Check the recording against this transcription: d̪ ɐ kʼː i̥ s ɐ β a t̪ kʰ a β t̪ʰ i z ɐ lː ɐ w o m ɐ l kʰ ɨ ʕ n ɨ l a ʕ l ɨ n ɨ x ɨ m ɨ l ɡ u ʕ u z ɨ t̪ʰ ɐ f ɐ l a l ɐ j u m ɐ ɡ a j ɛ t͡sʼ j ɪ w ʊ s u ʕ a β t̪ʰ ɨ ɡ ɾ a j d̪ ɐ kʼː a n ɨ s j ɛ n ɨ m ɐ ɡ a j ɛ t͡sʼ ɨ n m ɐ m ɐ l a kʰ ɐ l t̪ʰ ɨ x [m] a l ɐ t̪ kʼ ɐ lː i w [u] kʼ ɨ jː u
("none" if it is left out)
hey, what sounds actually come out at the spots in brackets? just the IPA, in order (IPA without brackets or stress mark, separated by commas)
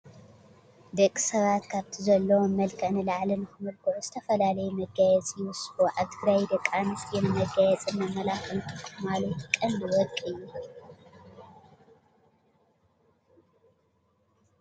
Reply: m, ɔ